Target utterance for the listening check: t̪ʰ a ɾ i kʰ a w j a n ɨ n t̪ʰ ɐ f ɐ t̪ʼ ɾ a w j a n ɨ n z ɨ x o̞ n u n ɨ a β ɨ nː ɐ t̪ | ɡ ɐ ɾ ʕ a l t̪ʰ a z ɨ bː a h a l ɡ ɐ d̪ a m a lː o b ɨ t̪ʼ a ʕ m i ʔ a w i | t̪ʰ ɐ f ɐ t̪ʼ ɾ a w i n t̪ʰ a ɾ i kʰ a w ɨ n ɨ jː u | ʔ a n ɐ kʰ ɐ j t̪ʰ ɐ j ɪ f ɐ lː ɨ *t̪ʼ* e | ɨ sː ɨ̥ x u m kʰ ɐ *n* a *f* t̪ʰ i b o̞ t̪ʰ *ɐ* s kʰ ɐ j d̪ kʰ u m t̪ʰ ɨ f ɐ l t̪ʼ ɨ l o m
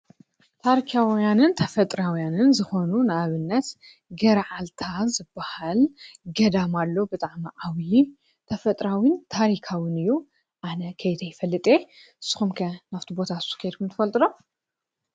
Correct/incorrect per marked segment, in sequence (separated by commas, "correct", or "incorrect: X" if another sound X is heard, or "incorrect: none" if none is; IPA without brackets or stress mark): correct, correct, correct, incorrect: a